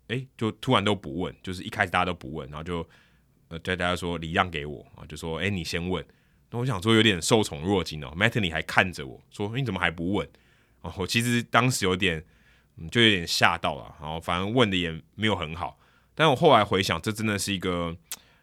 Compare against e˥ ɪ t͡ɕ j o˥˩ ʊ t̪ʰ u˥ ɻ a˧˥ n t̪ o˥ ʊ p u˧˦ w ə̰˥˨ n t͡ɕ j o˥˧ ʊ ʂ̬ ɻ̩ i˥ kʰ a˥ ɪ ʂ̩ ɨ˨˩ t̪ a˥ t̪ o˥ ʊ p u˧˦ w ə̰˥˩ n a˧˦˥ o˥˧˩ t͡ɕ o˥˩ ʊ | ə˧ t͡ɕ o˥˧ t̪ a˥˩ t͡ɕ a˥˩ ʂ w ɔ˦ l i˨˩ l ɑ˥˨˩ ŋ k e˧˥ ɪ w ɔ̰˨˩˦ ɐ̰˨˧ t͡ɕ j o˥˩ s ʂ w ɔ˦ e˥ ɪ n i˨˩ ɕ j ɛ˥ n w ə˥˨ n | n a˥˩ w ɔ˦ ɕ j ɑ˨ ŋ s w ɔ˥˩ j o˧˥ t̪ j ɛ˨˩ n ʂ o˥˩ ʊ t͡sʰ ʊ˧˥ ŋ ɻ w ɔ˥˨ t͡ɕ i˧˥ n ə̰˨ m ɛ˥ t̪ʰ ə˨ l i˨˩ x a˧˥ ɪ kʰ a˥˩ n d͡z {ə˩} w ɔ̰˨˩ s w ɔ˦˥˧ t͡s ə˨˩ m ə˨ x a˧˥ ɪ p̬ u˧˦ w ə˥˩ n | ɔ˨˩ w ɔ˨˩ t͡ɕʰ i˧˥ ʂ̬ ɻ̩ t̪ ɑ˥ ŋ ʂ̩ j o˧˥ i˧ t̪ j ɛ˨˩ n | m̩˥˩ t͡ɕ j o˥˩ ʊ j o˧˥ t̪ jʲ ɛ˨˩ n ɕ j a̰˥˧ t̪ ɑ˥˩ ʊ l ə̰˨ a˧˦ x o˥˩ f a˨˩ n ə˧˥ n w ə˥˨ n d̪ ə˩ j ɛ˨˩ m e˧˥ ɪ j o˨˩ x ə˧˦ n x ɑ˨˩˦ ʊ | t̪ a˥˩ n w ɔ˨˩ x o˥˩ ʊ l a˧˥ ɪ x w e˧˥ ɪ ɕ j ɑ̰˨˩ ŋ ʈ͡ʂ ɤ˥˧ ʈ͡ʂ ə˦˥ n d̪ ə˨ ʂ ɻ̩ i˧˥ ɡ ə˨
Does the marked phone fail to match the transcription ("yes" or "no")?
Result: no